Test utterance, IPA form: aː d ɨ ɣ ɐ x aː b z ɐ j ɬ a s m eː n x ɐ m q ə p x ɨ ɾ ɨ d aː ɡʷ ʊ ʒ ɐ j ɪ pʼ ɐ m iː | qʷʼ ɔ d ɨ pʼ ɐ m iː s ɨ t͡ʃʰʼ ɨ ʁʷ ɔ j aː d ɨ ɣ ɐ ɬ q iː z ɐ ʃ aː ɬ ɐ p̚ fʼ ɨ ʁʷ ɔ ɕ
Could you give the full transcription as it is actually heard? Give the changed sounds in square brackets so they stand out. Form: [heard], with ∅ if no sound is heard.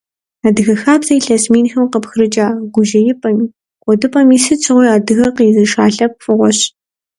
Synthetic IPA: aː d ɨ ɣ ɐ x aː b z ɐ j ɬ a s m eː n x ɐ m q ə p x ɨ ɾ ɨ [d͡ʒ] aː ɡʷ ʊ ʒ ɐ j ɪ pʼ ɐ m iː | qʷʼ ɔ d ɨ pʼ ɐ m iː s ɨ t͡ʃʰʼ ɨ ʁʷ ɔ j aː d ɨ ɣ ɐ [∅] q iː z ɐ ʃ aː ɬ ɐ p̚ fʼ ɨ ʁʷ ɔ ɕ